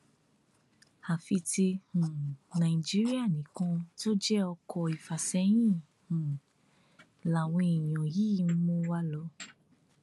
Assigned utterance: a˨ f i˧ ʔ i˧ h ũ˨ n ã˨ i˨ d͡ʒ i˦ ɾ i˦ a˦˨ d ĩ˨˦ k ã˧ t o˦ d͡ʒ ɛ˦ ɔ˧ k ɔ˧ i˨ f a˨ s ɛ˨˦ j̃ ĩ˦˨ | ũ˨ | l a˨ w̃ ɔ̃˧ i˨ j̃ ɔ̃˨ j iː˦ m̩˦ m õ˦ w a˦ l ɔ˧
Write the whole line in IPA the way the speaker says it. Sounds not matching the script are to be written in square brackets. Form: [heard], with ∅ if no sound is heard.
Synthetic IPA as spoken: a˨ f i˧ [t] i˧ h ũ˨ n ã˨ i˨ d͡ʒ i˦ ɾ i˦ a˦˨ [n] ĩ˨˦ k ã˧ t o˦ d͡ʒ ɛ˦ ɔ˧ k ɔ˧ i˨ f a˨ s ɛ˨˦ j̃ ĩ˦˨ | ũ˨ | l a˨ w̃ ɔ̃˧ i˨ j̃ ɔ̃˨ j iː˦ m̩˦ m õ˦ w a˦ l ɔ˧